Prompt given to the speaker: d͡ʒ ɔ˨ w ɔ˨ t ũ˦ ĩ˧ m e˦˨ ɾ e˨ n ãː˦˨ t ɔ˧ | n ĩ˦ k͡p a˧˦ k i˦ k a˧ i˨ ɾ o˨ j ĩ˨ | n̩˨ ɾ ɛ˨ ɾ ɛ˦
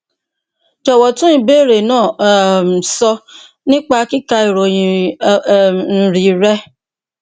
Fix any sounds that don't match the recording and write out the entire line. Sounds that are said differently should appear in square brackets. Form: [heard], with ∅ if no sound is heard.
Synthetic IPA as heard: d͡ʒ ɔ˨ w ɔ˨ t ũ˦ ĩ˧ [b] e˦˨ ɾ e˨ n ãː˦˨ [s] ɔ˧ | n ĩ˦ k͡p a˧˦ k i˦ k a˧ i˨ ɾ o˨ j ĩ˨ | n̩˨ ɾ [i˨] ɾ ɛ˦